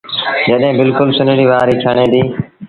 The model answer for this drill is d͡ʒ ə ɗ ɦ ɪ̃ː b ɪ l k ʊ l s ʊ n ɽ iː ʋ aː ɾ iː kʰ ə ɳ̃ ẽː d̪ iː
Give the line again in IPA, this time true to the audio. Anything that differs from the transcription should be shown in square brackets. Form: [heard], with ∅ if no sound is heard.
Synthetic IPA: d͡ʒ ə ɗ ɦ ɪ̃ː b ɪ l k ʊ l s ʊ n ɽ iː ʋ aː ɾ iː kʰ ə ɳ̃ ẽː d̪ iː